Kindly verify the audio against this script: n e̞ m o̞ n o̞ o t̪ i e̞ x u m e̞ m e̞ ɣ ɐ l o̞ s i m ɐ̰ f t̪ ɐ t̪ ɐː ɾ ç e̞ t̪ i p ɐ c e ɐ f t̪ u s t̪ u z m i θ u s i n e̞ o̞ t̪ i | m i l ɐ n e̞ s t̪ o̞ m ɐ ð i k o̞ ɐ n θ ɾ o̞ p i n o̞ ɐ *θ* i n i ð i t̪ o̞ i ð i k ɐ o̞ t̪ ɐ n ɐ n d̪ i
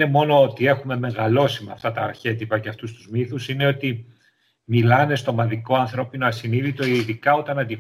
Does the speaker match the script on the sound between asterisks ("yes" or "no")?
no